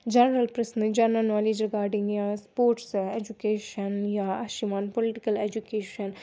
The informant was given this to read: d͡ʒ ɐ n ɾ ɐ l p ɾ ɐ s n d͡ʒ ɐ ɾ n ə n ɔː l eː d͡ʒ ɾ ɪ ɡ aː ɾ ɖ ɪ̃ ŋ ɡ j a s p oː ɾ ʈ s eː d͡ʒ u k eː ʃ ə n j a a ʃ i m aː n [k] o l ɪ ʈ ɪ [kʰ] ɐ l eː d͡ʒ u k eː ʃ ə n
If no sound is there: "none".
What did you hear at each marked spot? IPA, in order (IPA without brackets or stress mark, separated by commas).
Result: p, k